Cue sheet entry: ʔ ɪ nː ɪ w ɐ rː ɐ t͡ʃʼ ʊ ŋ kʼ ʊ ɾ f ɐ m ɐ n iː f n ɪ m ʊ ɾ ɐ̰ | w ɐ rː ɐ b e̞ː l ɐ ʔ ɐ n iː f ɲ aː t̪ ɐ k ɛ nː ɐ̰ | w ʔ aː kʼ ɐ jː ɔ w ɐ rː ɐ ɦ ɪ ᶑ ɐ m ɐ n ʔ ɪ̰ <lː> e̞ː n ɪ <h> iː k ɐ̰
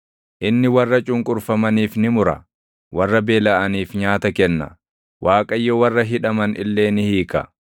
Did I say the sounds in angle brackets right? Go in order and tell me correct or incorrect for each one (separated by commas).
correct, correct